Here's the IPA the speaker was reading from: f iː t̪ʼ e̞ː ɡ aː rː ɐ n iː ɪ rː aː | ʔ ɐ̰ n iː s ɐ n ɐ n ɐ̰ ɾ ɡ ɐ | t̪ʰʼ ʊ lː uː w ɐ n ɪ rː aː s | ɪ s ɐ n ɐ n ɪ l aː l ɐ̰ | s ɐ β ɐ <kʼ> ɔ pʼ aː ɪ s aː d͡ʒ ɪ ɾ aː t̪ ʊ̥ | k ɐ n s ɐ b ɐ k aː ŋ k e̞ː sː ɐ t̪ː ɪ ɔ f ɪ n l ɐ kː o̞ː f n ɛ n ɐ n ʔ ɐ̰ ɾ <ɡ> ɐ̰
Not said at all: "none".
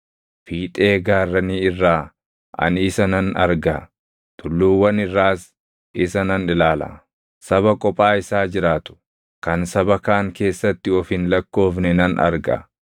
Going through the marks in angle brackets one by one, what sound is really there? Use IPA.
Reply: kʼ, ɡ

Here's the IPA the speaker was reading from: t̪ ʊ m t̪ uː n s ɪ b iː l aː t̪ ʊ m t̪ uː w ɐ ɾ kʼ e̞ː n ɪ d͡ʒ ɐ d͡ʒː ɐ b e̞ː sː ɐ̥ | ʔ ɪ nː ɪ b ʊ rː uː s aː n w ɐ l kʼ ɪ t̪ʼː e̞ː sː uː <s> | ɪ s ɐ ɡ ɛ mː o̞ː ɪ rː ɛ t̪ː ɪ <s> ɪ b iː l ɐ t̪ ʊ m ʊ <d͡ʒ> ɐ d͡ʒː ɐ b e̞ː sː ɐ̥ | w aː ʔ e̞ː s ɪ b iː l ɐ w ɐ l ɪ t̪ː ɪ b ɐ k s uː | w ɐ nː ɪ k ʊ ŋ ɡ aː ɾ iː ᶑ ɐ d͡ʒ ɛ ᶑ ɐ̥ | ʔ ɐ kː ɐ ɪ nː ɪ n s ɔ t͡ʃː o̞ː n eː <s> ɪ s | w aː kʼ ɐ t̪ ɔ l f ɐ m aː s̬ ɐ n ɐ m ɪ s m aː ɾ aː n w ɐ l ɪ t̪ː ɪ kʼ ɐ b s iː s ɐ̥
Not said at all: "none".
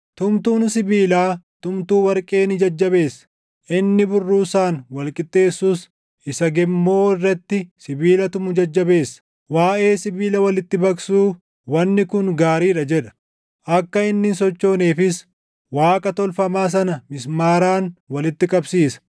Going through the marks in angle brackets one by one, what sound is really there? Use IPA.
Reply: s, s, d͡ʒ, f

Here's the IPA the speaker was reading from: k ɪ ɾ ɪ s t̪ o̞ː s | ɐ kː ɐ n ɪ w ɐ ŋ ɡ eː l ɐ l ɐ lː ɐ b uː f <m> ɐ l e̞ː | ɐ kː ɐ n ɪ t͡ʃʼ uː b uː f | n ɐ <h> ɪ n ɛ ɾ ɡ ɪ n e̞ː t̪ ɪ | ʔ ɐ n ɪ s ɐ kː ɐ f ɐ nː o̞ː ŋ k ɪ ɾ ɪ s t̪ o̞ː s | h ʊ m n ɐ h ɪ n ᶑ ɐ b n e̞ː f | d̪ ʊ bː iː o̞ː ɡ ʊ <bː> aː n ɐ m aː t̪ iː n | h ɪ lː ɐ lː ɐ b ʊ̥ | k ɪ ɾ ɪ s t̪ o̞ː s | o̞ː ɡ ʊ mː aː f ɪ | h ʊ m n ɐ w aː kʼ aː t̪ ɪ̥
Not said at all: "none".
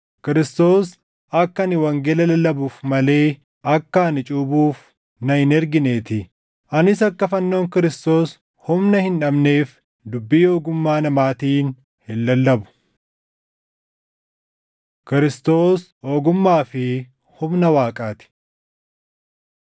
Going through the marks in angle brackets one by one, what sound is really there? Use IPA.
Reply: m, h, mː

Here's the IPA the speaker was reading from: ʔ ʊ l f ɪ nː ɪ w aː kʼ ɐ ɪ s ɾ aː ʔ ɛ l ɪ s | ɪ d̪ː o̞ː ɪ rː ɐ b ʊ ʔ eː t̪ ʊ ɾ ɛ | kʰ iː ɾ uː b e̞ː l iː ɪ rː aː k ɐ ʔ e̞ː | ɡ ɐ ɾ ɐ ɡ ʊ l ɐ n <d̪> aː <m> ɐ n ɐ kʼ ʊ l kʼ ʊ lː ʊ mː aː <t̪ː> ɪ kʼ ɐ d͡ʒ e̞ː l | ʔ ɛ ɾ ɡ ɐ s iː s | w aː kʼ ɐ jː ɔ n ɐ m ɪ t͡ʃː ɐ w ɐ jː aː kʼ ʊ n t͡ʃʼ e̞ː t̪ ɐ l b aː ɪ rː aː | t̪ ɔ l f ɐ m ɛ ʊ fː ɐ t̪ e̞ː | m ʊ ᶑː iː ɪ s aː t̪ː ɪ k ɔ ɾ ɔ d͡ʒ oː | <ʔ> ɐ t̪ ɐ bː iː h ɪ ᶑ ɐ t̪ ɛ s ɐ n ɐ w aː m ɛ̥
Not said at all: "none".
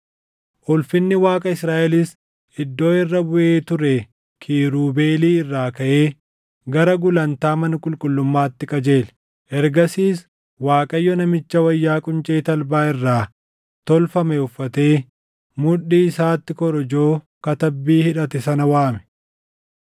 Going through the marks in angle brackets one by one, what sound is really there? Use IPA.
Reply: t̪, m, t̪ː, k

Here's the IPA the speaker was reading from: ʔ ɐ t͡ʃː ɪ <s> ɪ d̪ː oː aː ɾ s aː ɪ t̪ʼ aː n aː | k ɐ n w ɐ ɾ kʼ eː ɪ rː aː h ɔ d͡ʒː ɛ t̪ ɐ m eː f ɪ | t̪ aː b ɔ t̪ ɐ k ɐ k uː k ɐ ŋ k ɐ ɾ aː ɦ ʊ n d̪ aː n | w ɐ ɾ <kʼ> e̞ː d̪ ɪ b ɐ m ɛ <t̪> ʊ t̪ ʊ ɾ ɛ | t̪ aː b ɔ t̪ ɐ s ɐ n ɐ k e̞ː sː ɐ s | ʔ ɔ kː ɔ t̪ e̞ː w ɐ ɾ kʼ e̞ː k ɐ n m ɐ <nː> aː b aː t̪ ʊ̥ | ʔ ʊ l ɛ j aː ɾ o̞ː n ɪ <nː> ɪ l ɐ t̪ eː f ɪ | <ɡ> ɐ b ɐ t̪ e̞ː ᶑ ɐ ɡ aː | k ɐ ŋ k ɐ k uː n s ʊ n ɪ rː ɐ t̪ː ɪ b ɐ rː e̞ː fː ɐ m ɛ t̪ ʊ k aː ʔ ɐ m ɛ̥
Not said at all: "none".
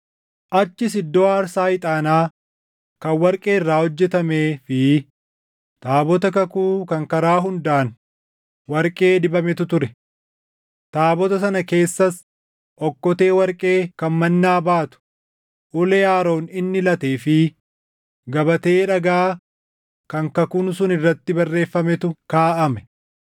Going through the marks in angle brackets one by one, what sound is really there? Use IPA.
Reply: s, kʼ, t̪, nː, nː, ɡ

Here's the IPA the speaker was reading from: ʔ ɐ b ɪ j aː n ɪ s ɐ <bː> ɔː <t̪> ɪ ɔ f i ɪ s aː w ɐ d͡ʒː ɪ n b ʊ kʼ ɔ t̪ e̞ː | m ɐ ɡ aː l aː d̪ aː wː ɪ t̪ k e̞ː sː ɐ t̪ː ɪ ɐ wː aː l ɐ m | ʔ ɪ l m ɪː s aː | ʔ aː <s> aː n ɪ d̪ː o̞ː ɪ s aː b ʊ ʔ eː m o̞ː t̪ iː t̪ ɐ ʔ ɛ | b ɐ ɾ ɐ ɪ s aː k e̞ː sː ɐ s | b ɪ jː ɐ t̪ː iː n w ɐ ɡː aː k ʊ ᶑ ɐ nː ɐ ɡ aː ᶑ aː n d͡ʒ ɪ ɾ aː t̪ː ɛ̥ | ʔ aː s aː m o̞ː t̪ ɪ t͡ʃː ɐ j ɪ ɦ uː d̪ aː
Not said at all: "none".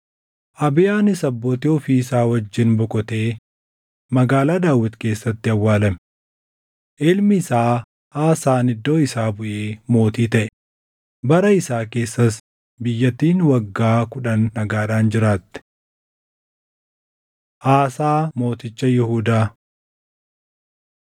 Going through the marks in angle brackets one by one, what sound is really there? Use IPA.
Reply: bː, t̪, s

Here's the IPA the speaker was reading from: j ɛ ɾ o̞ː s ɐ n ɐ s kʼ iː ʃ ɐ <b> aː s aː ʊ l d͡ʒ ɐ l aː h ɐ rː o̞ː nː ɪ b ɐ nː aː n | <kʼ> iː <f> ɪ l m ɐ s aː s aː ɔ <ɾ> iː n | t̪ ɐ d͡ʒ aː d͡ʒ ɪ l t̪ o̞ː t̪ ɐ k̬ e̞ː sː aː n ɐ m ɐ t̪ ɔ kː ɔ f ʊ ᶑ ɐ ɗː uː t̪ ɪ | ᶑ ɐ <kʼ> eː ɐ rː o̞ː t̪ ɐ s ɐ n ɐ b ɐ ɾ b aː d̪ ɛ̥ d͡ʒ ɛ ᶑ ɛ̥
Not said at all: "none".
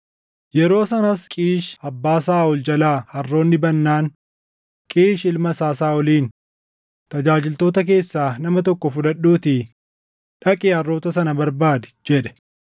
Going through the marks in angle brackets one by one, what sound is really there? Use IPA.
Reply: bː, kʼ, ʃ, l, kʼ

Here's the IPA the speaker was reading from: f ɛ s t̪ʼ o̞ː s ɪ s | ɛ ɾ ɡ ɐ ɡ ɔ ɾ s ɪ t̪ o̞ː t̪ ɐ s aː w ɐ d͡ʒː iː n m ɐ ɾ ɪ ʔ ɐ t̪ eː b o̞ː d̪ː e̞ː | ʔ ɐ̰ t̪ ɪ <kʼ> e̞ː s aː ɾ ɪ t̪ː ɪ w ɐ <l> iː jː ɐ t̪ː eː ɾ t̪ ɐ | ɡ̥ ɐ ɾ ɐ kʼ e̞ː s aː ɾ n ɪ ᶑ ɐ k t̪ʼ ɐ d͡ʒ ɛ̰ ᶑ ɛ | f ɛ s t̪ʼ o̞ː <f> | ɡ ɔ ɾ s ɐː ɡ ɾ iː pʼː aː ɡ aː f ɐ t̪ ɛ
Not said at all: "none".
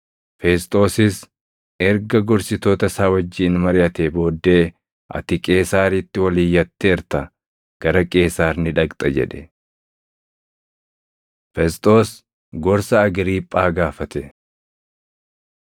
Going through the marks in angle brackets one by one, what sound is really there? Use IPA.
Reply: kʼ, l, s

